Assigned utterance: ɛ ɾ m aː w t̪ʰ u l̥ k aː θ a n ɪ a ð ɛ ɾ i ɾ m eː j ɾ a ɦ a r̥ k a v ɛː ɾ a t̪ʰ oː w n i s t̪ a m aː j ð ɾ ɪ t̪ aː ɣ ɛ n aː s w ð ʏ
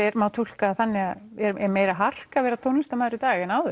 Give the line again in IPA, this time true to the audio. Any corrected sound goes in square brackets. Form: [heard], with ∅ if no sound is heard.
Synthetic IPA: ɛ ɾ m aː w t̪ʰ u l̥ k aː θ a [nː] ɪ a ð ɛ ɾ [ɛ] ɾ m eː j ɾ a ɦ a r̥ k a v ɛː ɾ a t̪ʰ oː w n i s t̪ a m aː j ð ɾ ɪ t̪ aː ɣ ɛ n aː [∅] w ð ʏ